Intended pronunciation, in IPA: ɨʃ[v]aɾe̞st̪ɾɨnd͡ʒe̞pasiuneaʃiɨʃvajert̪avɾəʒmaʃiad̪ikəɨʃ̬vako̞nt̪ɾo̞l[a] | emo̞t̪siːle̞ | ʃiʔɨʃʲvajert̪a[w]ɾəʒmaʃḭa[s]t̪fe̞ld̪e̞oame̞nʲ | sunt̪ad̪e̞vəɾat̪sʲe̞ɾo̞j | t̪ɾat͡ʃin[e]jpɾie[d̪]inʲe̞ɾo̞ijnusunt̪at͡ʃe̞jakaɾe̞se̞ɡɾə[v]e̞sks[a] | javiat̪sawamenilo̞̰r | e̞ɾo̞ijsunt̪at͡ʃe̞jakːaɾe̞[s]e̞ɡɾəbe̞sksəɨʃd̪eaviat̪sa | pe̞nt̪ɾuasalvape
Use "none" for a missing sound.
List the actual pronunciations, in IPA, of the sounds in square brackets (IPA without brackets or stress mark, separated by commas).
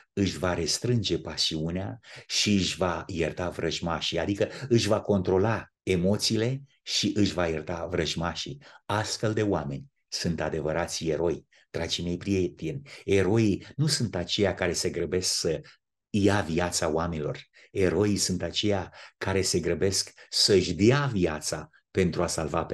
v, a, v, s, e, t̪, b, ə, s